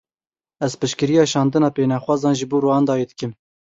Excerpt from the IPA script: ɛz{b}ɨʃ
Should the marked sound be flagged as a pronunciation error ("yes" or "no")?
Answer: yes